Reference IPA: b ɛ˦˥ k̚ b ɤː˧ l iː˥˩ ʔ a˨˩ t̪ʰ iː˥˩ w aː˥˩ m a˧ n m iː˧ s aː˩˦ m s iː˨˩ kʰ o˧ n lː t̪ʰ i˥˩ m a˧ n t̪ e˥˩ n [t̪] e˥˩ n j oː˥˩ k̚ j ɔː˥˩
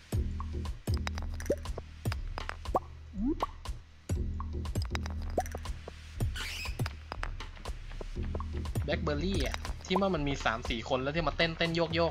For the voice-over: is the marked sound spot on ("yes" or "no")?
yes